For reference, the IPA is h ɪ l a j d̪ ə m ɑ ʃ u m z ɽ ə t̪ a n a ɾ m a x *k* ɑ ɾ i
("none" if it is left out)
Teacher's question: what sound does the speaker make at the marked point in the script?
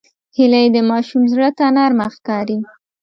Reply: k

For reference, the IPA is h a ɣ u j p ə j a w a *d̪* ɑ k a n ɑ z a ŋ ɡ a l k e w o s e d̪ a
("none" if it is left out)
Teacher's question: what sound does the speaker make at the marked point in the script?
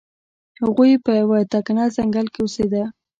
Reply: t̪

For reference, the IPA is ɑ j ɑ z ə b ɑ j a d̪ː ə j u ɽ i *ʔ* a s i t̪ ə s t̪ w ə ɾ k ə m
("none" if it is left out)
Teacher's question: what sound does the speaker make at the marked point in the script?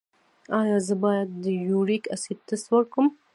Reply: k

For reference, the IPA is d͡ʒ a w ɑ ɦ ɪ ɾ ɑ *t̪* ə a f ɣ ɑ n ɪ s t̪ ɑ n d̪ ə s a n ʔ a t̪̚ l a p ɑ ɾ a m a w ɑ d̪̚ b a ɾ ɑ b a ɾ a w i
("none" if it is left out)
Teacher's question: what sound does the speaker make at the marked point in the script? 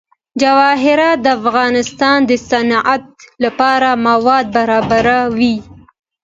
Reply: d̪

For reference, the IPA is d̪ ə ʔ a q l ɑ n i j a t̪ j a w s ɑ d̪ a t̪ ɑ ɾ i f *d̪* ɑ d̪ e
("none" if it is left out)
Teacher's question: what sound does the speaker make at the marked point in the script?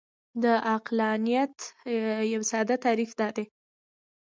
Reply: d̪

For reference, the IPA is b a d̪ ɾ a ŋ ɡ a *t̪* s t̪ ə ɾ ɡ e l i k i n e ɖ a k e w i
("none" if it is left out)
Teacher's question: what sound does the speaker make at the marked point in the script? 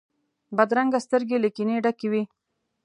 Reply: none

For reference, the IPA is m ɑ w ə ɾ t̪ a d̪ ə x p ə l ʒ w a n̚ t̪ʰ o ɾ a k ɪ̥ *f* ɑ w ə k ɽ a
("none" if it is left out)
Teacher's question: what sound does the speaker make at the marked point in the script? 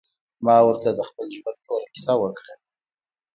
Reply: s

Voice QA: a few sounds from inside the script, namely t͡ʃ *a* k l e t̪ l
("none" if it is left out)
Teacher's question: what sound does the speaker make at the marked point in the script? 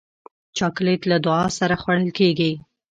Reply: ɑ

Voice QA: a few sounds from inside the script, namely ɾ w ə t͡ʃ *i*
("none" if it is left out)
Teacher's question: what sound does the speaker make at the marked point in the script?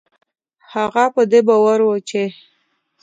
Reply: e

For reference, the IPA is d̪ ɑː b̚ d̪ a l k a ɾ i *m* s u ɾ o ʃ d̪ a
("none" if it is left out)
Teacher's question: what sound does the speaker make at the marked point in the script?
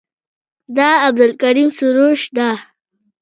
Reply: m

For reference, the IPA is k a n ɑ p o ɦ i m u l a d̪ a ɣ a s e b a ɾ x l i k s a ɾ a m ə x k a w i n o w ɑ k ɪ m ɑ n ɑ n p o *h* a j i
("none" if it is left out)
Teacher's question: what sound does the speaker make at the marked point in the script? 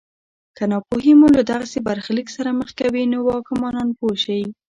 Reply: ʃ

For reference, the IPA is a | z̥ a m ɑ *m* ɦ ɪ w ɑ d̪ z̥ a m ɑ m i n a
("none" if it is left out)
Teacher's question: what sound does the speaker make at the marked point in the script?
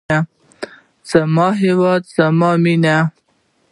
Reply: none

